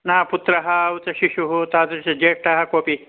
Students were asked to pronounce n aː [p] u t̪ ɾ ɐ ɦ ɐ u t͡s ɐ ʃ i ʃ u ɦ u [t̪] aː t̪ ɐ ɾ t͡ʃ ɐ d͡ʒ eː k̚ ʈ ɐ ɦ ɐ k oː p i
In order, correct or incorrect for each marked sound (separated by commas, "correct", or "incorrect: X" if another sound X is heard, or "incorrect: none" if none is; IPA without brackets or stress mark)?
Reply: correct, correct